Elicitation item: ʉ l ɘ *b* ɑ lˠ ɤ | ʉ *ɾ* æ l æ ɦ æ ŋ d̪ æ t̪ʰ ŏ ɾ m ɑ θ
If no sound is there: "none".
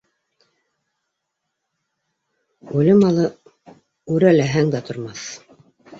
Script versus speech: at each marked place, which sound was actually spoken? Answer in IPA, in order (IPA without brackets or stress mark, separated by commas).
m, ɾ